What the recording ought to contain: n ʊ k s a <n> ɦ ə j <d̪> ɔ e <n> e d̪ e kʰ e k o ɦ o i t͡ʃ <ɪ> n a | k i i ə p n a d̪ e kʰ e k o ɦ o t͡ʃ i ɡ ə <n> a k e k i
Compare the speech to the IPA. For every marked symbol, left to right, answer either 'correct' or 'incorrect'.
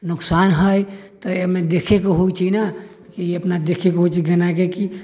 correct, incorrect, incorrect, incorrect, correct

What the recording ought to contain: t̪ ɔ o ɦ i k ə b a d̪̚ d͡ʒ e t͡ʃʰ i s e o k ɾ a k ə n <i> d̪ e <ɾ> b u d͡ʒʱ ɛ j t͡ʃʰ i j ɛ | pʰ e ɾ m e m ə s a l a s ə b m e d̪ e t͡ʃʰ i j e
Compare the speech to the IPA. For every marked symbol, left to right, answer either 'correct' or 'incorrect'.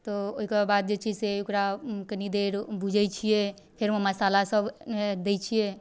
correct, correct

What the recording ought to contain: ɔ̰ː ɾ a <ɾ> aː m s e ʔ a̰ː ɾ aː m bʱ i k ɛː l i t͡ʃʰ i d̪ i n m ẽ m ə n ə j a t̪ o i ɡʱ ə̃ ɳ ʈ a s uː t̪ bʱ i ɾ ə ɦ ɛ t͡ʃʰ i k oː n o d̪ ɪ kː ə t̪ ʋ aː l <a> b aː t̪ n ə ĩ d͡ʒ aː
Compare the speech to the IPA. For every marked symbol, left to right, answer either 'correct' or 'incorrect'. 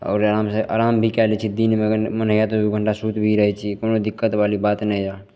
correct, incorrect

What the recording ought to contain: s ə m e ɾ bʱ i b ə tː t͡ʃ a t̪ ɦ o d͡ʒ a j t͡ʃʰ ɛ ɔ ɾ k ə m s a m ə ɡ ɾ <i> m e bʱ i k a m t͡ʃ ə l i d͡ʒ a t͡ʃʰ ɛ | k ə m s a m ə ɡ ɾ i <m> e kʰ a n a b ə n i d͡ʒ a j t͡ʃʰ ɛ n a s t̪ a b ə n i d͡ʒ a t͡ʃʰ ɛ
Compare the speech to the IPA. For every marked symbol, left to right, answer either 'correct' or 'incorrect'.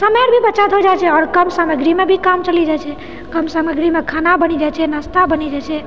correct, correct

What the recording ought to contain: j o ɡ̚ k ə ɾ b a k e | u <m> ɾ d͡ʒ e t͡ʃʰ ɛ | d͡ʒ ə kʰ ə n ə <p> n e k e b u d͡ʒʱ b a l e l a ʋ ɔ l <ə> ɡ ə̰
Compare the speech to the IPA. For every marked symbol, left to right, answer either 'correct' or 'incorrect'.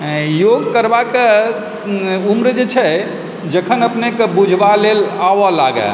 correct, correct, incorrect

